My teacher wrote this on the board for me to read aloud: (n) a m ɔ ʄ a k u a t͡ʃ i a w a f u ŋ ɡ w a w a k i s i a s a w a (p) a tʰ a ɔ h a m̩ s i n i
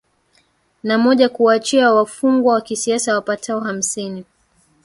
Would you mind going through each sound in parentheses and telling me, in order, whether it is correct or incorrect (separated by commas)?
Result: correct, correct